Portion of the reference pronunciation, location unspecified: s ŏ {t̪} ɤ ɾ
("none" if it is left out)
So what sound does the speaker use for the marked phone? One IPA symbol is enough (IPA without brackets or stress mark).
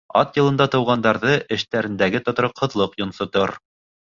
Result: t̪